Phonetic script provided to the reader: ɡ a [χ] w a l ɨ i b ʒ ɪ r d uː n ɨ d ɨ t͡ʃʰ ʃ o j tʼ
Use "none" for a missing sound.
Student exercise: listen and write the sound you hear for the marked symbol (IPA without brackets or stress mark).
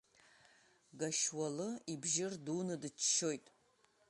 ʃ